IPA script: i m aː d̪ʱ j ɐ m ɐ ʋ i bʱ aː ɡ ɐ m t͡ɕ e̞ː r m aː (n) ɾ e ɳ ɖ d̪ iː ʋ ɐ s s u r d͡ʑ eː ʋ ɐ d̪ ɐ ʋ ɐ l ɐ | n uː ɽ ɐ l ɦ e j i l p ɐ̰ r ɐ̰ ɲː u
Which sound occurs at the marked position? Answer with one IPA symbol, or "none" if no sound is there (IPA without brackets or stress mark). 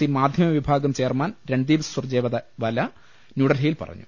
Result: n